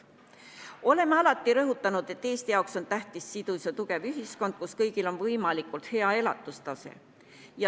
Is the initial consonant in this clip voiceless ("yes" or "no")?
no